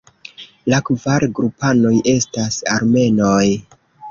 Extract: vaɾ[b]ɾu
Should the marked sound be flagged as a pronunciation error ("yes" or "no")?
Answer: yes